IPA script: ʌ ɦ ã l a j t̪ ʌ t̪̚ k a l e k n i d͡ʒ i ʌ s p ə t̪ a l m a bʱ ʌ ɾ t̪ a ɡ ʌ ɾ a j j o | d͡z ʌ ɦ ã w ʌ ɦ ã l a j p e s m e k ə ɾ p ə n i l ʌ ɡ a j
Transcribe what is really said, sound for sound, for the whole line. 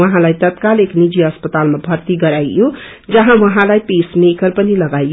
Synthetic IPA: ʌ ɦ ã l a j t̪ ʌ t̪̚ k a l e k n i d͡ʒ i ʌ s p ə t̪ a l m a bʱ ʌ ɾ t̪ i ɡ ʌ ɾ a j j o | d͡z ʌ ɦ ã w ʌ ɦ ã l a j p e s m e k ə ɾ p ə n i l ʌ ɡ a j